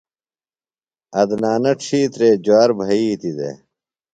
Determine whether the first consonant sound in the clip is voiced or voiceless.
voiced